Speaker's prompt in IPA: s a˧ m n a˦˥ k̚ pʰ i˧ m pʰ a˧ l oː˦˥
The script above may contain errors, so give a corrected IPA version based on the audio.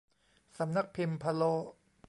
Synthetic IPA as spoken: s a˩˦ m n a˦˥ k̚ pʰ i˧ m pʰ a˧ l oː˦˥